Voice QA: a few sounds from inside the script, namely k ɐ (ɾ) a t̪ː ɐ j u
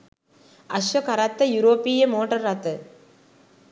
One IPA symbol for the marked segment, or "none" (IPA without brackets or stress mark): ɾ